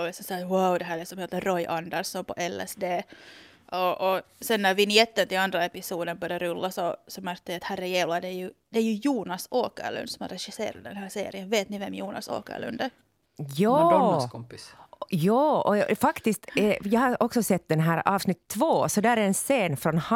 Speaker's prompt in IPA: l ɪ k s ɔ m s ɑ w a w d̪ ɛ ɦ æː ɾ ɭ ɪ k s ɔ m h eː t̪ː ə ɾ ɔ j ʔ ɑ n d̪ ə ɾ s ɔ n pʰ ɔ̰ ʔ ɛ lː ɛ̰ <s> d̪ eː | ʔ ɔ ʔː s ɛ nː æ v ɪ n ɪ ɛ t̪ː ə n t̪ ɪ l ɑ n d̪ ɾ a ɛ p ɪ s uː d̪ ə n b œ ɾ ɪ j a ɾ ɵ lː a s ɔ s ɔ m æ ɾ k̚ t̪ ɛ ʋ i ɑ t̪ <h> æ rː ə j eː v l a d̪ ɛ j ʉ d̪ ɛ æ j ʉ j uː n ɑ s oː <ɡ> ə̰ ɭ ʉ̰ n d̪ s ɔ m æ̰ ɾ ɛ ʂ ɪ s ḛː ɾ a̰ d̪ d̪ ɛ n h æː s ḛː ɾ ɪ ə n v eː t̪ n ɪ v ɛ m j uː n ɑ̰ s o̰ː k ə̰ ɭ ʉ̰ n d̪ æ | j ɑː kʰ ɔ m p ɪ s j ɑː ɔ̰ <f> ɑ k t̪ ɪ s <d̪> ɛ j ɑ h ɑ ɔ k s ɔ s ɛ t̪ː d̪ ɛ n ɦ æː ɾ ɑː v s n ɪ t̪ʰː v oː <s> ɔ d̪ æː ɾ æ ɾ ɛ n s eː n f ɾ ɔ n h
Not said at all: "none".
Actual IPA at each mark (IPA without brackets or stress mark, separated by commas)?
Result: s, h, k, f, t̪, s